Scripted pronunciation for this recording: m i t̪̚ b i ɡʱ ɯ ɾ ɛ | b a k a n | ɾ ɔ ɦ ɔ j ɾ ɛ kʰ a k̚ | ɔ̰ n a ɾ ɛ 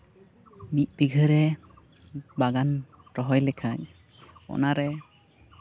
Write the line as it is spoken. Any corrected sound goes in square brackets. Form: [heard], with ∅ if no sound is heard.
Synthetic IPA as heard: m i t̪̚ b i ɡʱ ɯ ɾ ɛ | b a [ɡ] a n | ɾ ɔ ɦ ɔ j [l] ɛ kʰ a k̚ | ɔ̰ n a ɾ ɛ